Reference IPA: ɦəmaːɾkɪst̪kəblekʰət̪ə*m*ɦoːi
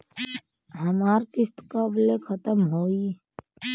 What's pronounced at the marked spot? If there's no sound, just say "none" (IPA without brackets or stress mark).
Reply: m